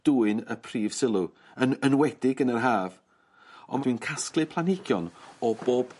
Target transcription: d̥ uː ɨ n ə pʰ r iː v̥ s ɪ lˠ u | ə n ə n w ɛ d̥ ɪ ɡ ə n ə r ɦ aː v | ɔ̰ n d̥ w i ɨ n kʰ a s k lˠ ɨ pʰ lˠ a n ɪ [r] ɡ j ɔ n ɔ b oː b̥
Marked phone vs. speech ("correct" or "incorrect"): incorrect